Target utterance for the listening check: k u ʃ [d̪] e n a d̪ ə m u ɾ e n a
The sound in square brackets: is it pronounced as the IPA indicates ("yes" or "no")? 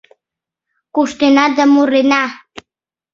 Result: no